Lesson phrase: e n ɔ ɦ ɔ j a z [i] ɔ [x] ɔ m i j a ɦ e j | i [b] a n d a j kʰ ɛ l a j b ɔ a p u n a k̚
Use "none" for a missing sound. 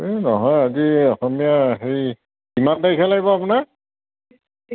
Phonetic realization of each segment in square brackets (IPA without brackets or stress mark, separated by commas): i, x, m